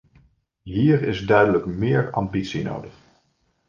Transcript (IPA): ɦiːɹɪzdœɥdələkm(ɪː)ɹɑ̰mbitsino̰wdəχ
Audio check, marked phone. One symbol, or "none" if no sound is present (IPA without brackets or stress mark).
ɪː